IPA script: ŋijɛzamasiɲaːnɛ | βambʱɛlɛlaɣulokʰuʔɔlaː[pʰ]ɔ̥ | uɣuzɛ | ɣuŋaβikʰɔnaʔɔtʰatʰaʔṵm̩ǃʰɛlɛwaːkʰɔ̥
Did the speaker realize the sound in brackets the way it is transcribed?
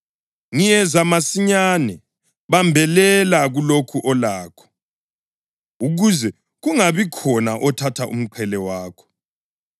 no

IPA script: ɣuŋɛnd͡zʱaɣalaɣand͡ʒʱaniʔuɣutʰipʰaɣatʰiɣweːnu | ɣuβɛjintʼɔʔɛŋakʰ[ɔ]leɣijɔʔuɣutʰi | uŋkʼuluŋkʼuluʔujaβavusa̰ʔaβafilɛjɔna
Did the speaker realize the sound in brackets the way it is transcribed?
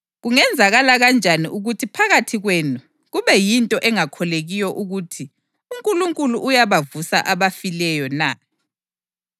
yes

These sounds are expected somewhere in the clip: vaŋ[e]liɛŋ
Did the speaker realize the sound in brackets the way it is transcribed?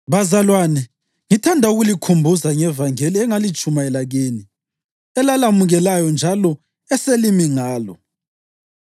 yes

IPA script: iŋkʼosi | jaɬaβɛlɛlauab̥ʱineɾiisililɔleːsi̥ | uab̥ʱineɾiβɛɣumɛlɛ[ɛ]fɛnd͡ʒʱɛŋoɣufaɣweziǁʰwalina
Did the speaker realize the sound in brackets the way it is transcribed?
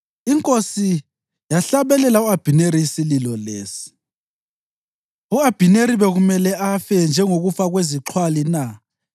no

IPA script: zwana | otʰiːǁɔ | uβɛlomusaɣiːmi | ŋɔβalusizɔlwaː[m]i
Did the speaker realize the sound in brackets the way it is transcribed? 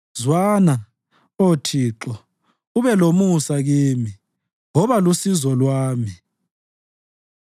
yes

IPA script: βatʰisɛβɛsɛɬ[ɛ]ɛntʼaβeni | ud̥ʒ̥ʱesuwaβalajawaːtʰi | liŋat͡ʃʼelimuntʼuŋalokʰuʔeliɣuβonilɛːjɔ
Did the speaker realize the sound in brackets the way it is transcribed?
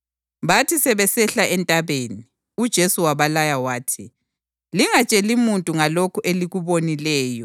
no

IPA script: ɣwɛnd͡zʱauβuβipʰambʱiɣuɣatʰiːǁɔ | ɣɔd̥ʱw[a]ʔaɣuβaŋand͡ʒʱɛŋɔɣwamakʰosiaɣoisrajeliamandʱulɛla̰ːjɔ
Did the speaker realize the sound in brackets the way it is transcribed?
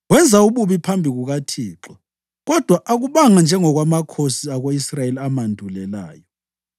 yes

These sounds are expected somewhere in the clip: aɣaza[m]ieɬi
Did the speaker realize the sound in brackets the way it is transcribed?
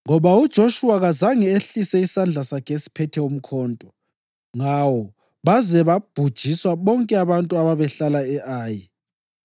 no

